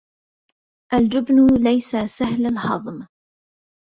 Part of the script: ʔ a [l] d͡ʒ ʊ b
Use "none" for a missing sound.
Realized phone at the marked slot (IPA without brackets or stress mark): l